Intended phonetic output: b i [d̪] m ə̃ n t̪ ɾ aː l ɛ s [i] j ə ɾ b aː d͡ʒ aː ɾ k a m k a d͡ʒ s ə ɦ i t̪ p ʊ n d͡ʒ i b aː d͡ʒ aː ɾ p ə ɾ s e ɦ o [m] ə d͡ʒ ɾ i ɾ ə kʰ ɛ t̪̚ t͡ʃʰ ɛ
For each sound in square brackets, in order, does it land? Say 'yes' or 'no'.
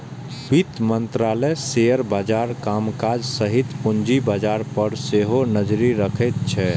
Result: no, no, no

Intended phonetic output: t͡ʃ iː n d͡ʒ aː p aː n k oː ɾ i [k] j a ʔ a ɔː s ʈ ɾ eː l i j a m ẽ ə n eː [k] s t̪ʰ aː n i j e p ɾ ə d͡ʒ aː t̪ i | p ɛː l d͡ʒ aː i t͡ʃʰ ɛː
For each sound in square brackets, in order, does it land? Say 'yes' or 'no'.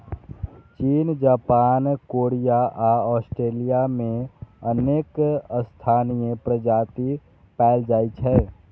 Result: no, yes

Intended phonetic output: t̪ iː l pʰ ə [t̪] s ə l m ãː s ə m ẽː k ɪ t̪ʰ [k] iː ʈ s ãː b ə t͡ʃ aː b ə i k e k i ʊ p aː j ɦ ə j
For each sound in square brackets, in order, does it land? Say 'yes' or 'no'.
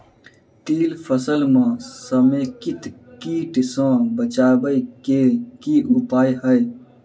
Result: no, yes

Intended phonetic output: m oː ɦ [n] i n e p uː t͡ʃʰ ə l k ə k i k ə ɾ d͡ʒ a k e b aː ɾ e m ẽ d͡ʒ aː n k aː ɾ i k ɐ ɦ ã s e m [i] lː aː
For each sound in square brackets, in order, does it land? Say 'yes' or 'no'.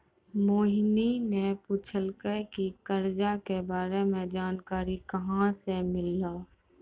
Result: yes, no

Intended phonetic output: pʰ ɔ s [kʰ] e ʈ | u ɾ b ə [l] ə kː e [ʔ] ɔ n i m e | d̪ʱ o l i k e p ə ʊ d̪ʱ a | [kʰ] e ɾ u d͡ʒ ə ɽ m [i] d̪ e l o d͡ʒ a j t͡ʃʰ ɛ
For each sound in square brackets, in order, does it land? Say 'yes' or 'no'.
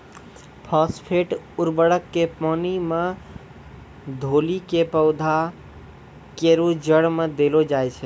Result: no, no, no, no, no

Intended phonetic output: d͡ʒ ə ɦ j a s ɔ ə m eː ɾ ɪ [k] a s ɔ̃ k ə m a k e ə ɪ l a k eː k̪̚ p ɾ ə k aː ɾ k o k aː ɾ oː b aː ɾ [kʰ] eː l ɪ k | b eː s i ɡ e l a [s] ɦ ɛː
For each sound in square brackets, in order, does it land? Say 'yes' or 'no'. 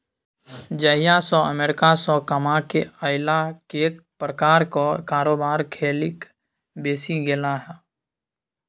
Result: yes, yes, no

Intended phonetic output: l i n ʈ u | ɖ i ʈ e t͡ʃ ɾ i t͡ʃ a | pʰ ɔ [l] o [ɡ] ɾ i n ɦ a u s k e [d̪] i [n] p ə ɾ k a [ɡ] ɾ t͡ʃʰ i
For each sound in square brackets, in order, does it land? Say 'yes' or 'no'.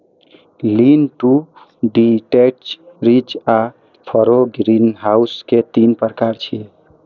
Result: no, yes, no, yes, no

